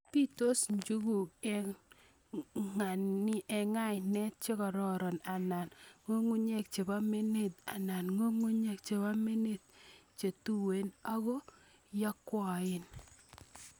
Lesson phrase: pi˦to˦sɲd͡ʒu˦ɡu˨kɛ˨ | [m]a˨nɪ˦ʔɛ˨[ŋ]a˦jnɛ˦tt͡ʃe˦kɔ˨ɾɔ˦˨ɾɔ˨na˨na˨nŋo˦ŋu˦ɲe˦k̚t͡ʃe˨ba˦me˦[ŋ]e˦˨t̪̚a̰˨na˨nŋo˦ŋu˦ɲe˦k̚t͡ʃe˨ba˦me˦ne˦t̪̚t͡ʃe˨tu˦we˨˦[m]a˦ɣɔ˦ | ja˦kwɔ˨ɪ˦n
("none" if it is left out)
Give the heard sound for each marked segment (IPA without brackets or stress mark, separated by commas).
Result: ŋ, ŋ, n, n